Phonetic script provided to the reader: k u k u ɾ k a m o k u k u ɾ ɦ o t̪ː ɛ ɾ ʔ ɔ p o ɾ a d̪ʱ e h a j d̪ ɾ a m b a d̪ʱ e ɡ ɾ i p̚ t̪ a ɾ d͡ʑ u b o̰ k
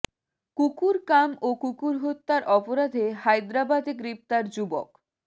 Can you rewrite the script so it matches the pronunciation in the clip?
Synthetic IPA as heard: k u k u ɾ k a m o k u k u ɾ ɦ o t̪ː a ɾ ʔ ɔ p o ɾ a d̪ʱ e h a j d̪ ɾ a b a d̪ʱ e ɡ ɾ i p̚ t̪ a ɾ d͡ʑ u b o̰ k